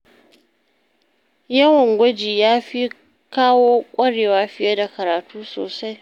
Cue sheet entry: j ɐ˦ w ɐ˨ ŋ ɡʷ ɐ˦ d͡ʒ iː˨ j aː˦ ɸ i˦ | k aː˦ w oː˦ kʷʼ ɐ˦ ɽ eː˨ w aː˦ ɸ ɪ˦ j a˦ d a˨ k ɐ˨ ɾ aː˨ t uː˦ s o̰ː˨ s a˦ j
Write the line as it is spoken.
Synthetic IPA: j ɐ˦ w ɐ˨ ŋ ɡʷ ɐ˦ d͡ʒ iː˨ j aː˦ ɸ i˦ | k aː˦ w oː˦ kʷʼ ɐ˦ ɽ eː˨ w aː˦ ɸ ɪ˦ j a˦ d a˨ k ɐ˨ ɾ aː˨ t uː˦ s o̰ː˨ s a˦ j

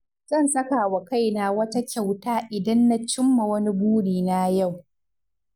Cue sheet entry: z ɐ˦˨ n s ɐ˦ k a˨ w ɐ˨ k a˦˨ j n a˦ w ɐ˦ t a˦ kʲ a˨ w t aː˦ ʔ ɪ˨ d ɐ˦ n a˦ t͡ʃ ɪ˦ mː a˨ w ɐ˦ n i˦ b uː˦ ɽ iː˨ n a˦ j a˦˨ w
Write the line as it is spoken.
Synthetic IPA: z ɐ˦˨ n s ɐ˦ k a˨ w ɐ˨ k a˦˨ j n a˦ w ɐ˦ t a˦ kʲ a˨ w t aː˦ ʔ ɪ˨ d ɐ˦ nː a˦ t͡ʃ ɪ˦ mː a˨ w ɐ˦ n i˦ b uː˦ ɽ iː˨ n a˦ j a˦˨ w

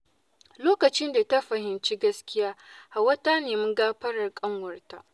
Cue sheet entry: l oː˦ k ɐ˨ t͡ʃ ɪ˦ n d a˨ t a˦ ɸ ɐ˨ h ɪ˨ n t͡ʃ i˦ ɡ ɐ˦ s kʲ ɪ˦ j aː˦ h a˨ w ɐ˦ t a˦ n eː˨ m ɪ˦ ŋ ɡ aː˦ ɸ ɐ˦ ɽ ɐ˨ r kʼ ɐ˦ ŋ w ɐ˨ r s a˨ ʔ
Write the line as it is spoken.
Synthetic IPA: l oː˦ k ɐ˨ t͡ʃ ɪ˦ n d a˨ t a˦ ɸ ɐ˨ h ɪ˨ n t͡ʃ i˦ ɡ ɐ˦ s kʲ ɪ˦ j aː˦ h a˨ w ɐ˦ t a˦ n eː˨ m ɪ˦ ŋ ɡ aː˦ ɸ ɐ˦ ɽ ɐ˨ r kʼ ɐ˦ ŋ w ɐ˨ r t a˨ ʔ

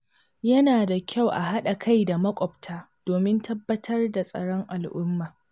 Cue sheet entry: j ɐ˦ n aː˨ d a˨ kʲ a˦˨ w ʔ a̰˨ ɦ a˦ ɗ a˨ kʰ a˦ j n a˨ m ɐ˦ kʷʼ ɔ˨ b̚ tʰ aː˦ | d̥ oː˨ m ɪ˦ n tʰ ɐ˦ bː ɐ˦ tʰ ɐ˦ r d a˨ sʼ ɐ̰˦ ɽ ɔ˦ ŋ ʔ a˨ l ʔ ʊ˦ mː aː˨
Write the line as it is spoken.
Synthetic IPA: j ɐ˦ n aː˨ d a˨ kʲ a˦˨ w ʔ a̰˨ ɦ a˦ ɗ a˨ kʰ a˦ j d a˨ m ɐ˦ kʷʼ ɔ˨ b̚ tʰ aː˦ | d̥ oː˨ m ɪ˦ n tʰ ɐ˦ bː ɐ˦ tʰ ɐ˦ r d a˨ sʼ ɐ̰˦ ɽ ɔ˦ ŋ ʔ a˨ l ʔ ʊ˦ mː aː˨

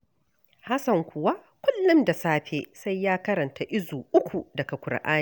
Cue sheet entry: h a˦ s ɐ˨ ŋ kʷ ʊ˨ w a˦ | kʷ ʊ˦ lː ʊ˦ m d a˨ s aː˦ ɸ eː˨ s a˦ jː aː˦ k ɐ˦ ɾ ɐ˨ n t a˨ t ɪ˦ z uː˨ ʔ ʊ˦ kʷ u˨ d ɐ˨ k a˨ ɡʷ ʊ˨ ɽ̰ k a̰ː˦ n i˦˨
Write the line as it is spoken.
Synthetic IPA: h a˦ s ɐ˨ ŋ kʷ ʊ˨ w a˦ | kʷ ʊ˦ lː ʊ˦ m d a˨ s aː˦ ɸ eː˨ s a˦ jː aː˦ k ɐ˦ ɾ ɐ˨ n t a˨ ʔ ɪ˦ z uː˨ ʔ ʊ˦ kʷ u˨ d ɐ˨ k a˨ kʷ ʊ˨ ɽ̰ ʔ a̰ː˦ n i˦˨

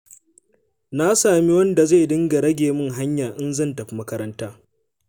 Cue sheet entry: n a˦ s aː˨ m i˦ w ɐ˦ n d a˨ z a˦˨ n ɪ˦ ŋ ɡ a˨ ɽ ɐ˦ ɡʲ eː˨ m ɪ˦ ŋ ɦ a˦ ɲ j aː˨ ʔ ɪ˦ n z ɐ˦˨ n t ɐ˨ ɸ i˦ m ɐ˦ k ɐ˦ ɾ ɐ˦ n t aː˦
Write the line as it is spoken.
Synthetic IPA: n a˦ s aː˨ m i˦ w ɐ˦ n d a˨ z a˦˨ d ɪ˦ ŋ ɡ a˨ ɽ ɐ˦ ɡʲ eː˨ m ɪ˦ ŋ ɦ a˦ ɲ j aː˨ ʔ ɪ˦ n z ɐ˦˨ n t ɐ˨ ɸ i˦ m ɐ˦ k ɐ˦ ɾ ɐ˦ n t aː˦

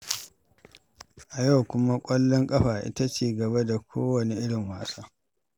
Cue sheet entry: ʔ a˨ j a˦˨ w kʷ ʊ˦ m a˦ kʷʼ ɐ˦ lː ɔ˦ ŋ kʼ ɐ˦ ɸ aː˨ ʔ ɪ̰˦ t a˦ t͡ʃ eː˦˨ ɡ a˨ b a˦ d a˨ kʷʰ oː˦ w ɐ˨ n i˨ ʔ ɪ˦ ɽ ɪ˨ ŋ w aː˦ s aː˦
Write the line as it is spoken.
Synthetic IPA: ʔ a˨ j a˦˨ w kʷ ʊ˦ m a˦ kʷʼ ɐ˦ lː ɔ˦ ŋ kʼ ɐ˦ ɸ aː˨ ʔ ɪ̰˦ t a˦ t͡ʃ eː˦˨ ɡ ɐ˨ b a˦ d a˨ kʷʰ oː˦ w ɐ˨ n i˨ ʔ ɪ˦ ɽ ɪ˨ ŋ w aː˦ s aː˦

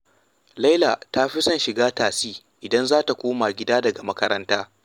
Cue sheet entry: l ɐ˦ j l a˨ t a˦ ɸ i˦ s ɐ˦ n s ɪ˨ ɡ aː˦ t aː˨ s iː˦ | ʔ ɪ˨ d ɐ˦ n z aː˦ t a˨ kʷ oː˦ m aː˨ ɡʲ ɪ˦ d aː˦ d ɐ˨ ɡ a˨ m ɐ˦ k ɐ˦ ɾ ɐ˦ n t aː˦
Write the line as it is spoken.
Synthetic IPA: l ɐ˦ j l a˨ t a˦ ɸ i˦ s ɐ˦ n ʃ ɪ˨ ɡ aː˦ t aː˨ s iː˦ | ʔ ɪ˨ d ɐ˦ n z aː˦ t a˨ kʷ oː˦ m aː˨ ɡʲ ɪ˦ d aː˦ d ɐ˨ ɡ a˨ m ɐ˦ k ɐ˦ ɾ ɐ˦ n t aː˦

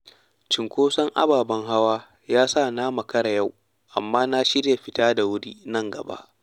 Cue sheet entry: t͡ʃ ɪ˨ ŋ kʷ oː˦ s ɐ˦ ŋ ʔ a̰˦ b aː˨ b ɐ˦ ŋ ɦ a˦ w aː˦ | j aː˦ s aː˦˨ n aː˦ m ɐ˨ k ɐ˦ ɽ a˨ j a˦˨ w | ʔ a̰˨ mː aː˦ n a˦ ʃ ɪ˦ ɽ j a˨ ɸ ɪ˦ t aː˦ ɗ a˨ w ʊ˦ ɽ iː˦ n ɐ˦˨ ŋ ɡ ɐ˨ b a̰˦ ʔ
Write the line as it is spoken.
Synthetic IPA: t͡ʃ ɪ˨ ŋ kʷ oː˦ s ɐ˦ ŋ ʔ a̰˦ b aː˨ b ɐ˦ ŋ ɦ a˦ w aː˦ | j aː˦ s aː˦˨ n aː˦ m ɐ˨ k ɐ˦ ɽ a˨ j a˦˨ w | ʔ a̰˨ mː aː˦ n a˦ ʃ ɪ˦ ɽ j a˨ ɸ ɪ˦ t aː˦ d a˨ w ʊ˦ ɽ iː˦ n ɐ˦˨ ŋ ɡ ɐ˨ b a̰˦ ʔ

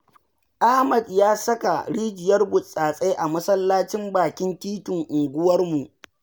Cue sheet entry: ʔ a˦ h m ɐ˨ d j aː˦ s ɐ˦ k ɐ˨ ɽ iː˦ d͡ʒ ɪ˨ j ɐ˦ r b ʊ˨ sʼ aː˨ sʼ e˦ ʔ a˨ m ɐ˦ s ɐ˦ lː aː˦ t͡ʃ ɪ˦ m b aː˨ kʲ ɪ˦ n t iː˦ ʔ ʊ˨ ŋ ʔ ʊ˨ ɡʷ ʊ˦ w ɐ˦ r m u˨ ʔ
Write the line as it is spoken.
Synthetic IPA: ʔ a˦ h m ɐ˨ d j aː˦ s ɐ˦ k a˨ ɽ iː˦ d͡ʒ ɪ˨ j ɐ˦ r b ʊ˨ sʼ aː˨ sʼ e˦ ʔ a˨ m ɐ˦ s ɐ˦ lː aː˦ t͡ʃ ɪ˦ m b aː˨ kʲ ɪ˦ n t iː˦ t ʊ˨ ŋ ʔ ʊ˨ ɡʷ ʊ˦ w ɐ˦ r m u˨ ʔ

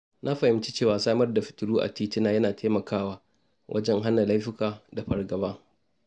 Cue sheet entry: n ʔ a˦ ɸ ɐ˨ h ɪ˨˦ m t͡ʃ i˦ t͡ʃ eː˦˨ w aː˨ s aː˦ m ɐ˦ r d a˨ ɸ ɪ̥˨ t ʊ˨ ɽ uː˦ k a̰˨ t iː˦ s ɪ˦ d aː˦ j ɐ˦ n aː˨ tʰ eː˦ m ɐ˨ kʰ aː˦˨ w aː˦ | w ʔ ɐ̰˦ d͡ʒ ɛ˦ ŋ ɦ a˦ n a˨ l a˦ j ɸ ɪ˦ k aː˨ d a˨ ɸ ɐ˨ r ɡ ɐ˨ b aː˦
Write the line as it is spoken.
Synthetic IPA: n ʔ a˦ ɸ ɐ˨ h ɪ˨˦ m t͡ʃ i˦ t͡ʃ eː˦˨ w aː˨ s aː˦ m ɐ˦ r d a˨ ɸ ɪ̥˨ t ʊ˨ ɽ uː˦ ʔ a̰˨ t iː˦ t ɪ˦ n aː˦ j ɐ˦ n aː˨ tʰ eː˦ m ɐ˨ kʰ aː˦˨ w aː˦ | w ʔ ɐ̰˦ d͡ʒ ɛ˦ ŋ ɦ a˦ n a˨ l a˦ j ɸ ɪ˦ k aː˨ d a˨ ɸ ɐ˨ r ɡ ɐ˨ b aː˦

